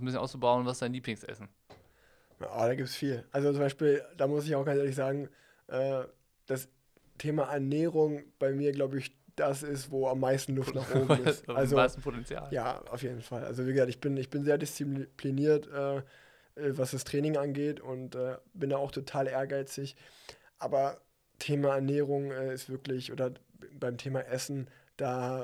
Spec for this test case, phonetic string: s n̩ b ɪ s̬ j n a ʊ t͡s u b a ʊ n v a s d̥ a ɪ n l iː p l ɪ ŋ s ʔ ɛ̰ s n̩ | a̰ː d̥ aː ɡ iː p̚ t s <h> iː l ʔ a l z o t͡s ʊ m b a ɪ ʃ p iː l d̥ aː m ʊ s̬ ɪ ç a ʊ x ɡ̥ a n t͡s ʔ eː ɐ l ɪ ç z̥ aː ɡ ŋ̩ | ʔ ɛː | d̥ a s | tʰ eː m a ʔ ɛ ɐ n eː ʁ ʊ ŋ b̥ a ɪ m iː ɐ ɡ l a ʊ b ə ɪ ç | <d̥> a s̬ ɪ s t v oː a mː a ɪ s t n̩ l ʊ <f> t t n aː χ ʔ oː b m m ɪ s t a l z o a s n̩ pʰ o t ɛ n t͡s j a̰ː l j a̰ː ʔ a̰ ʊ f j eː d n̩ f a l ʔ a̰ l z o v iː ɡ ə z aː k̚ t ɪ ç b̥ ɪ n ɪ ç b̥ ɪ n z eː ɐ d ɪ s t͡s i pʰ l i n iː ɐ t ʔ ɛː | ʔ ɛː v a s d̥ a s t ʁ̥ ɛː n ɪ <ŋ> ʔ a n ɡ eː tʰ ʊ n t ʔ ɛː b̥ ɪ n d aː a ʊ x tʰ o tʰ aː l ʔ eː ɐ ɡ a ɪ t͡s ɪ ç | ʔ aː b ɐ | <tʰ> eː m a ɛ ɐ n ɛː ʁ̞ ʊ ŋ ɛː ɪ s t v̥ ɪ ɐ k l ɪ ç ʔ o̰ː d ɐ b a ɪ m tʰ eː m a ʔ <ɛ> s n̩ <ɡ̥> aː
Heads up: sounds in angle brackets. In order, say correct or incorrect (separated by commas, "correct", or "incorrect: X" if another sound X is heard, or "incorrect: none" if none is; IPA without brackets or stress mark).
incorrect: f, correct, correct, correct, correct, correct, incorrect: d̥